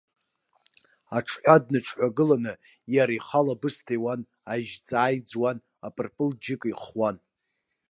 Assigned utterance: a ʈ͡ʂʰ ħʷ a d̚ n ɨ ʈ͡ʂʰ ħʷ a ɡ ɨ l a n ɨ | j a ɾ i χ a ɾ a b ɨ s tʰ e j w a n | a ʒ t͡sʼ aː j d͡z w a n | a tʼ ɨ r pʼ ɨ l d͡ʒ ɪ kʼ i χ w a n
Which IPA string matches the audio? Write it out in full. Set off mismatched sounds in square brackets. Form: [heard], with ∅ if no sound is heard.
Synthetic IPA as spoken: a ʈ͡ʂʰ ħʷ a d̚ n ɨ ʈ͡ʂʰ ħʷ a ɡ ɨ l a n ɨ | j a ɾ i χ a [l] a b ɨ s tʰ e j w a n | a ʒ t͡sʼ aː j d͡z w a n | a [pʼ] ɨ r pʼ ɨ l d͡ʒ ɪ kʼ i χ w a n